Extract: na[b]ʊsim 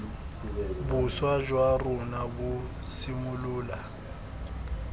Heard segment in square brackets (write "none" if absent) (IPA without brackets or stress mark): b